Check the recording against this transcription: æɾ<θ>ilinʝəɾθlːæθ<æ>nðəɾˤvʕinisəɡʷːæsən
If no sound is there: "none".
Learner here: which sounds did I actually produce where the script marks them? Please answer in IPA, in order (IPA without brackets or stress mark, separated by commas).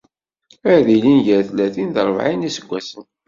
ð, i